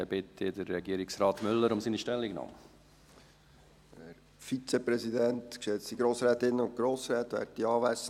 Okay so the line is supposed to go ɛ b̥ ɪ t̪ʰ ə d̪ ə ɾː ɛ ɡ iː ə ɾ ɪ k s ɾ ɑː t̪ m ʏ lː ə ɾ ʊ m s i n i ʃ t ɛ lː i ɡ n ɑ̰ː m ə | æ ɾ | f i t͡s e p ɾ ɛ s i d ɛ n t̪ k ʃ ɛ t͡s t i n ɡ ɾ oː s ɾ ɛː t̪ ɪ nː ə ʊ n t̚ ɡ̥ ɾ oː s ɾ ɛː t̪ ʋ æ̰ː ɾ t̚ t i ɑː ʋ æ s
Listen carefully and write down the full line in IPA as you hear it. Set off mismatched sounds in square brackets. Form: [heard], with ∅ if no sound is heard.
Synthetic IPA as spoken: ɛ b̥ ɪ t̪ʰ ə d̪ ə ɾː ɛ ɡ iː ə ɾ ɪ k s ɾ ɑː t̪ m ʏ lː ə ɾ ʊ m s i n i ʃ t ɛ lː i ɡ n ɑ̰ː m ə | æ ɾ | f i t͡s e p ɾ ɛ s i d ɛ n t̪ k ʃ ɛ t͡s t i [∅] ɡ ɾ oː s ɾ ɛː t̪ ɪ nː ə ʊ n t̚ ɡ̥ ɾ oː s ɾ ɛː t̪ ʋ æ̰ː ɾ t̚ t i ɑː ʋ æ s